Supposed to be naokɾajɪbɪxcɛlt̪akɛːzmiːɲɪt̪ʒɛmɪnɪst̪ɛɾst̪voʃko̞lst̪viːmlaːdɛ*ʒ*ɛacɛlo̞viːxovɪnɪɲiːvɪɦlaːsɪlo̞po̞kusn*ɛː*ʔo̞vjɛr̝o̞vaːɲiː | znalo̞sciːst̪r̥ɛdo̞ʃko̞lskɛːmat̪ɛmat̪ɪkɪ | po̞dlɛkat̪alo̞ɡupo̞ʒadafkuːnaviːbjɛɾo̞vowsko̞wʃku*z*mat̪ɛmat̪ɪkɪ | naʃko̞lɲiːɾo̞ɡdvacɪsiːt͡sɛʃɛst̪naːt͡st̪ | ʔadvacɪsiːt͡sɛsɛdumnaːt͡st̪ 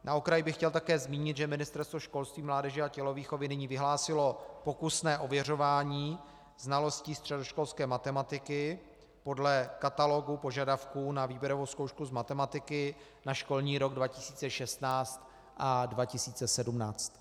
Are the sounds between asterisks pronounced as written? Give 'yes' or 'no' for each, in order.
yes, yes, yes

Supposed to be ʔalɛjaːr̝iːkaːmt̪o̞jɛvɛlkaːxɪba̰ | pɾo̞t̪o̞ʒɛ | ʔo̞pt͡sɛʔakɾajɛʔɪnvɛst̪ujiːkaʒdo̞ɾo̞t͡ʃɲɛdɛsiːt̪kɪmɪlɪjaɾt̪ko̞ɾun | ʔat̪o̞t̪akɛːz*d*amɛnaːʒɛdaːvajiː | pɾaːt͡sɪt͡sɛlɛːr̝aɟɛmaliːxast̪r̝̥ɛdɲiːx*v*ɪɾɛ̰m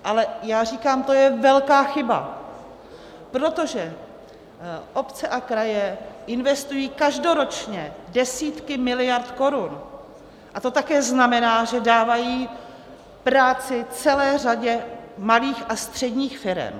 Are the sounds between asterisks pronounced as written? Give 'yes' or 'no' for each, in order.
no, no

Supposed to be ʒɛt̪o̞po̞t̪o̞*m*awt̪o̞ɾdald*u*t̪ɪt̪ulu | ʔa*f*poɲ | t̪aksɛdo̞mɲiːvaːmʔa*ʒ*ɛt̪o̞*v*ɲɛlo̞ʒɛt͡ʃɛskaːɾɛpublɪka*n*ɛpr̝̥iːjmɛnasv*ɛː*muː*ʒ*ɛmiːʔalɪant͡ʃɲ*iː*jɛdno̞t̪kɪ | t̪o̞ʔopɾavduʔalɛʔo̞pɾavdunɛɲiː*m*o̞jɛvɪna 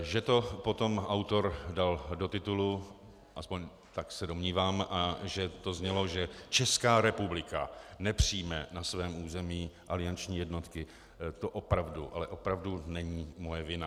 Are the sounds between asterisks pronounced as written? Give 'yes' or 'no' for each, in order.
yes, no, no, yes, no, yes, yes, no, yes, yes

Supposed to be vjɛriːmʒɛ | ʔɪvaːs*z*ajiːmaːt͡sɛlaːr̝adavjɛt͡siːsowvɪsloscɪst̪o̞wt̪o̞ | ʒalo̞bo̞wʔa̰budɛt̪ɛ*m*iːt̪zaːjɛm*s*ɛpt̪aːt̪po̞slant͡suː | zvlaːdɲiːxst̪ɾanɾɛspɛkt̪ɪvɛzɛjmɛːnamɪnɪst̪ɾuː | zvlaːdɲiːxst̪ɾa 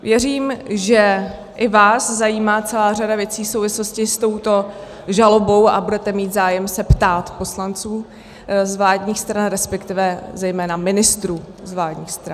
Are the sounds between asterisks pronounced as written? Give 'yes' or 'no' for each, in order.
yes, yes, yes

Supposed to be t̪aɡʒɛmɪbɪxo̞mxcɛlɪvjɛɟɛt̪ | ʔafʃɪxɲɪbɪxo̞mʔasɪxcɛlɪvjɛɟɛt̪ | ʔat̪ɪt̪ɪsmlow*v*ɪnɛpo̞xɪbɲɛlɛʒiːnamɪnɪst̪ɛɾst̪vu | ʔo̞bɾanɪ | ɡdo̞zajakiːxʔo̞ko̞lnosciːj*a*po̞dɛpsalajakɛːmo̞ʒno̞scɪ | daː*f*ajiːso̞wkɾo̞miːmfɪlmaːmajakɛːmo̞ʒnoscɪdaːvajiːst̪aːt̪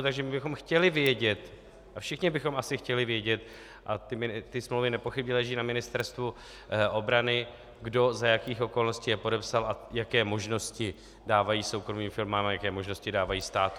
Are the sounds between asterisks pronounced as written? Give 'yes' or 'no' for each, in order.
yes, no, no

